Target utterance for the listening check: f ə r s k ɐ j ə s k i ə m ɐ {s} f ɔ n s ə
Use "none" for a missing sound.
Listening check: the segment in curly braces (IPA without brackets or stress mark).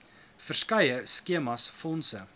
s